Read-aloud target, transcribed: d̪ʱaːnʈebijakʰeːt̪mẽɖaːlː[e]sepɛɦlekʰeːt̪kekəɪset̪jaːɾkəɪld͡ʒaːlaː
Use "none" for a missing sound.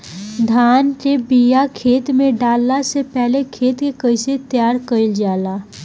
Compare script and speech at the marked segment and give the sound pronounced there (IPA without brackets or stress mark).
a